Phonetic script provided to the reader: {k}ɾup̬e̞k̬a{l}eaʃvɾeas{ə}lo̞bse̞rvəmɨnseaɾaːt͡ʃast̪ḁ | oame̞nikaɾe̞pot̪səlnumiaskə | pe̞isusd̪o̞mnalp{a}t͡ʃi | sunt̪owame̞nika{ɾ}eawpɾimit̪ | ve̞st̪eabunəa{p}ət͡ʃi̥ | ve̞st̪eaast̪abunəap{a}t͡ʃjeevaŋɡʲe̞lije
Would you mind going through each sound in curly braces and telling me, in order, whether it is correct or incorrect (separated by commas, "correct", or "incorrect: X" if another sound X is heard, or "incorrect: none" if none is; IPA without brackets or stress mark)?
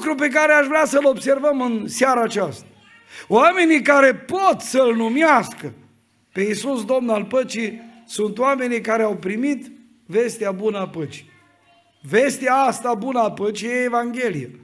correct, incorrect: ɾ, correct, incorrect: ə, correct, correct, incorrect: ə